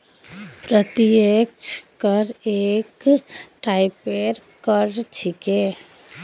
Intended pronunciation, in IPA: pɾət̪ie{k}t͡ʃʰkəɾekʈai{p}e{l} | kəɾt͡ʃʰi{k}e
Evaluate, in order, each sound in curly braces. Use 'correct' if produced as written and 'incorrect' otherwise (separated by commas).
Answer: correct, correct, incorrect, correct